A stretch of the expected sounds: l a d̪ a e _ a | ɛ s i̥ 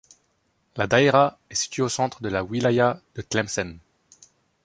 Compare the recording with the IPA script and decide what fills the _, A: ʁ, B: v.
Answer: A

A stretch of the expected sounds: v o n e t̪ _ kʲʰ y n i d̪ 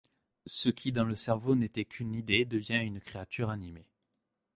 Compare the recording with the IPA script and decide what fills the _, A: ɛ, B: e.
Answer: A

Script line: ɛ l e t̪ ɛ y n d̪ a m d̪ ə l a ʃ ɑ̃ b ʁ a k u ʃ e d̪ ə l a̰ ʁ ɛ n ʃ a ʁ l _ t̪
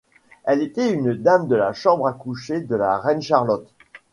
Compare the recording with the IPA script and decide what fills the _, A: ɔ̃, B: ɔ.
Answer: B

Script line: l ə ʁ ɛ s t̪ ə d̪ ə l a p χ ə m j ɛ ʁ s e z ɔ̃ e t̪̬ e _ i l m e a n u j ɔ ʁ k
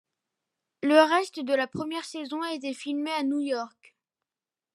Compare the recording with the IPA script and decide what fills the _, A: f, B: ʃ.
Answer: A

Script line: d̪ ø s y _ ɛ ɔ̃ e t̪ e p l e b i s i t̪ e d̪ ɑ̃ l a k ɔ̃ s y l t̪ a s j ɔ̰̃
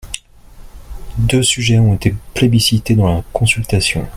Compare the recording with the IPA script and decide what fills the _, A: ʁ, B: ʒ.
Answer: B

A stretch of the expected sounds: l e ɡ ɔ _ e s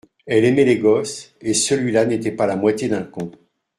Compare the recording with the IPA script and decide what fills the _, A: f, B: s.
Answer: B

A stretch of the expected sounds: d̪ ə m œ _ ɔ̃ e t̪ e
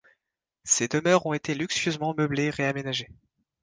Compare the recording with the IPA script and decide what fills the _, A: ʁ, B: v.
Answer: A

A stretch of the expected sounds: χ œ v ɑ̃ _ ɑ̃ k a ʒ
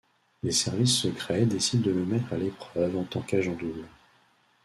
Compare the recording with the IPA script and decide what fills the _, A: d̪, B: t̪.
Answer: B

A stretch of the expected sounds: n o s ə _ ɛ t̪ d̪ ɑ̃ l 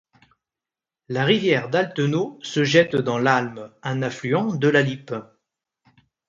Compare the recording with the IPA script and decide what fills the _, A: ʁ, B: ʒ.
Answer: B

